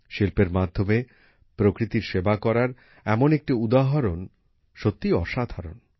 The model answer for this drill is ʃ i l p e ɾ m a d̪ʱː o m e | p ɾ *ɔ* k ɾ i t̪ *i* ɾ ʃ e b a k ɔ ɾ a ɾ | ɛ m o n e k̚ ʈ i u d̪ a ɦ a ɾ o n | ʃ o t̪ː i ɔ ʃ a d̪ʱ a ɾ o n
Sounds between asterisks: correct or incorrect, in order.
incorrect: o, correct

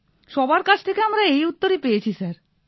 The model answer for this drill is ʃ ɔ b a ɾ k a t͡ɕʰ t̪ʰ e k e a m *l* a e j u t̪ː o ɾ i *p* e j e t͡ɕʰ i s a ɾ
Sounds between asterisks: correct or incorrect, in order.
incorrect: ɾ, correct

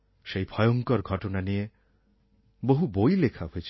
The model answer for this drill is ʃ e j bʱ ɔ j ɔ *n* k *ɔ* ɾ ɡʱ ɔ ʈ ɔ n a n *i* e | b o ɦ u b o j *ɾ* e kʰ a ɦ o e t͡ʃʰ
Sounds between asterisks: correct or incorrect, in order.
incorrect: ŋ, correct, correct, incorrect: l

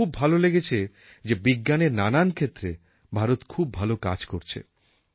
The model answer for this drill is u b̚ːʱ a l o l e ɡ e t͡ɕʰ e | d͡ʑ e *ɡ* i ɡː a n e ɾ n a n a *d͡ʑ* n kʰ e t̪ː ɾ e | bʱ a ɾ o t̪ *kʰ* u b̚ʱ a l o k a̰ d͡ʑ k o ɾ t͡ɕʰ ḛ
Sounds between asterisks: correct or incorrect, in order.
incorrect: b, incorrect: none, correct

